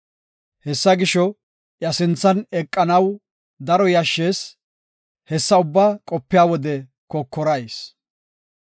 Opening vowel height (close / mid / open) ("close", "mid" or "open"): mid